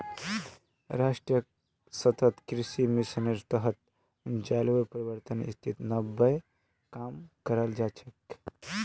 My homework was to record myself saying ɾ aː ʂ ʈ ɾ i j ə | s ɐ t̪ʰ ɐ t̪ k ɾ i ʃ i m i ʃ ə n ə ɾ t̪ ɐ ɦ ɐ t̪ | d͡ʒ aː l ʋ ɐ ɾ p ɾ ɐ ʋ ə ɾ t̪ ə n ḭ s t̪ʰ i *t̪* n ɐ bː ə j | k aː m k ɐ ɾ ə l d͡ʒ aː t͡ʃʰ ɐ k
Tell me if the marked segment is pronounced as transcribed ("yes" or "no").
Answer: yes